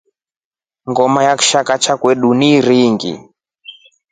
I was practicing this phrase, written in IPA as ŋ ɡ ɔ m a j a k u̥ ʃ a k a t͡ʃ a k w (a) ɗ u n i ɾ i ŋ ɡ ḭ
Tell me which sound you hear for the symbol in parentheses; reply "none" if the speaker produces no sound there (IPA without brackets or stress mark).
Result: ɛ